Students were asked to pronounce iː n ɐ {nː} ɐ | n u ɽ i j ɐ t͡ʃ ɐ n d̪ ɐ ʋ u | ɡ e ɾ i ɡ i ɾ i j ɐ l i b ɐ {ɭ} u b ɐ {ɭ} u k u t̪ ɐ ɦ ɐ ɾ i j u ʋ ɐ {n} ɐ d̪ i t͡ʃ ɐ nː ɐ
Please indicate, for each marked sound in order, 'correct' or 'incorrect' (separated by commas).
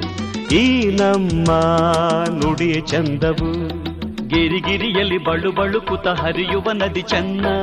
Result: incorrect, correct, correct, correct